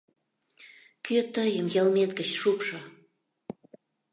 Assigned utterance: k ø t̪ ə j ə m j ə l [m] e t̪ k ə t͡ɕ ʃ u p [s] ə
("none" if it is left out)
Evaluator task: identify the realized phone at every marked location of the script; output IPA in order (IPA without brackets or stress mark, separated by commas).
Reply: m, ʃ